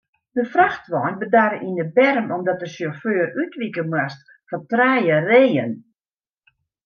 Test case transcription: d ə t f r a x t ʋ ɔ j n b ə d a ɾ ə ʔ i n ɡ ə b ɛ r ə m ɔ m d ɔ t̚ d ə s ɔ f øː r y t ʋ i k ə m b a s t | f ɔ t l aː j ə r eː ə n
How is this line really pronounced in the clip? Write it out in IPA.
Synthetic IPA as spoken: d ə f r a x t ʋ ɔ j n b ə d a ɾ ə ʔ i n d ə b ɛ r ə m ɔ m d ɔ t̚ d ə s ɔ f øː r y t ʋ i k ə m w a s t | f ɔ t r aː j ə r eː ə n